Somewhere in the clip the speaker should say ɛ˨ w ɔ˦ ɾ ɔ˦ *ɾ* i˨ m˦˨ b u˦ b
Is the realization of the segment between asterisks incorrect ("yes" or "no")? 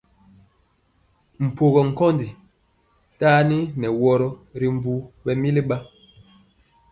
no